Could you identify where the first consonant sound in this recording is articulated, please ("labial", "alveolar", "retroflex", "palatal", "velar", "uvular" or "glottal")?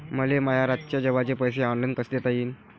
labial